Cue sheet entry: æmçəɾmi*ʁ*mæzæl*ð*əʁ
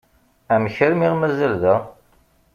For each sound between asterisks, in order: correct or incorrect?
correct, correct

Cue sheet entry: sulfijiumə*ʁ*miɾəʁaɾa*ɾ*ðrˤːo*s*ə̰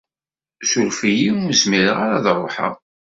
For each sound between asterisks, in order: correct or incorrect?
incorrect: z, incorrect: none, incorrect: ħ

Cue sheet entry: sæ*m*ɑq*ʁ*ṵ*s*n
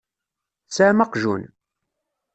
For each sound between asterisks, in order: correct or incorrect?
correct, incorrect: ʒ, incorrect: none

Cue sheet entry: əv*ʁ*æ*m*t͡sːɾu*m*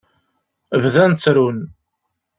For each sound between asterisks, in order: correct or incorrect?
incorrect: ð, incorrect: n, incorrect: n

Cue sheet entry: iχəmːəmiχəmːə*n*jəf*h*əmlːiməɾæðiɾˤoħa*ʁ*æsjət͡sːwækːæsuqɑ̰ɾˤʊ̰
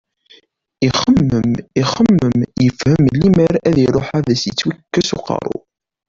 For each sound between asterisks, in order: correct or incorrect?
incorrect: m, correct, incorrect: ð

